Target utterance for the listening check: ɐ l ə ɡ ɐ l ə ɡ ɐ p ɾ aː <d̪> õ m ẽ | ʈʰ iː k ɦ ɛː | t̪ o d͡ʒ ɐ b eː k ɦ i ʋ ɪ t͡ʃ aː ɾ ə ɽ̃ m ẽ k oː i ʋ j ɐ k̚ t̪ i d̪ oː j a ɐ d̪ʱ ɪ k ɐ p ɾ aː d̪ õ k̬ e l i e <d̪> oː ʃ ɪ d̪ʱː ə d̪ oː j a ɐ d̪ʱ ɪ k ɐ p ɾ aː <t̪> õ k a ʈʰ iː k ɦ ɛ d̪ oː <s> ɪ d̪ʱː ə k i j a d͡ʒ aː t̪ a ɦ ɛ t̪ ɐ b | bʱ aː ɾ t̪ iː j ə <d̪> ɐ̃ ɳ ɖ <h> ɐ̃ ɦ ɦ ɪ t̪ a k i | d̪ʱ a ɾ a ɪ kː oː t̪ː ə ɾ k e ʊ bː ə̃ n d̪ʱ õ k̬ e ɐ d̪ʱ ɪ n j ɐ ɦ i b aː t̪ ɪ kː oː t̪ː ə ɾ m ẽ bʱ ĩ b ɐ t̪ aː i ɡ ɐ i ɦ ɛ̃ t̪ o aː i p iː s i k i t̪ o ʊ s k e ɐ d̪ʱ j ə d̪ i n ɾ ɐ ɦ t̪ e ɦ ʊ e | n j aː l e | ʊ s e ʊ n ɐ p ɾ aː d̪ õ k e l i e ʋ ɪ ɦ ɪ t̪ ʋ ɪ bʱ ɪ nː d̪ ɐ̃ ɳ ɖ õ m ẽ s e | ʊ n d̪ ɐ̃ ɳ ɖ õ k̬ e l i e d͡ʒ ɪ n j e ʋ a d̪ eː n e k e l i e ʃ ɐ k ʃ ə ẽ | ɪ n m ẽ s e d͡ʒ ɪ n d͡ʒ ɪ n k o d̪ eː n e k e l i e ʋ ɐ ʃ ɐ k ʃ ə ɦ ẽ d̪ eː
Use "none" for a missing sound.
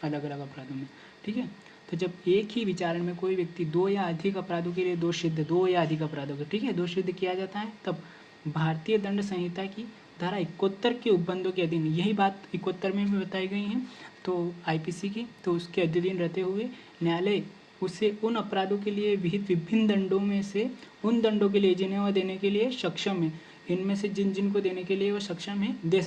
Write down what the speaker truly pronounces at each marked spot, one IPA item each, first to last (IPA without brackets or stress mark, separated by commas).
d̪, d̪, d̪, ʃ, d̪, s